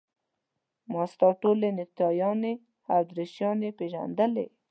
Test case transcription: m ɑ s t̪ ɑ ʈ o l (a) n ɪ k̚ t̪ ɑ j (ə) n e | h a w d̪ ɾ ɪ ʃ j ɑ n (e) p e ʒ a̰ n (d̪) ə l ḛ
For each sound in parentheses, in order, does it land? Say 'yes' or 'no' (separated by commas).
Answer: no, no, yes, yes